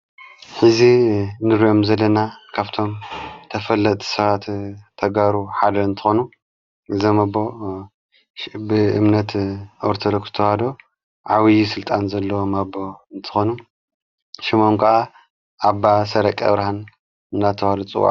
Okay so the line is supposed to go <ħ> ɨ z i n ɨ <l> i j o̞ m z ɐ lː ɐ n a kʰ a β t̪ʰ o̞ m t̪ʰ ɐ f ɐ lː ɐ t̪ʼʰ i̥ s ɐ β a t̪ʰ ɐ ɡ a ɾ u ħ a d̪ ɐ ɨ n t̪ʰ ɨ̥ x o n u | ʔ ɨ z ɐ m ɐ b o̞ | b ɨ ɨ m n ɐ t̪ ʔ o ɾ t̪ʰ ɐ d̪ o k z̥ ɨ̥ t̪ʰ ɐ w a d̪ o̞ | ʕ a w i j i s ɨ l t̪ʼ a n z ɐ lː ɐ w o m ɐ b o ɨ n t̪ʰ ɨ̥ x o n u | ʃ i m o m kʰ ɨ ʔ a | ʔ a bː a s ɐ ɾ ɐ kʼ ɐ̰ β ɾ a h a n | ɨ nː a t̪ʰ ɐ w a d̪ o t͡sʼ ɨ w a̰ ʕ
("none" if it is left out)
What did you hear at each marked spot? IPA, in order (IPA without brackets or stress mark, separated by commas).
ħ, ɾ